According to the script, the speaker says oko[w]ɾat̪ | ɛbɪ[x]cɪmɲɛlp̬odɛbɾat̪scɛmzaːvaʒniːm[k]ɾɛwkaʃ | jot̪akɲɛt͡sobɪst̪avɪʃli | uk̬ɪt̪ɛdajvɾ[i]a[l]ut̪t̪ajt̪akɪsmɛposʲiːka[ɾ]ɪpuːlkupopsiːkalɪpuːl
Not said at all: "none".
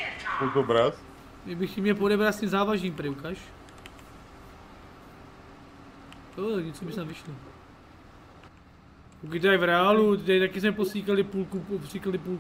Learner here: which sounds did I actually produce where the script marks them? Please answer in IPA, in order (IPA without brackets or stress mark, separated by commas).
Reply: b, x, p, ɛ, l, l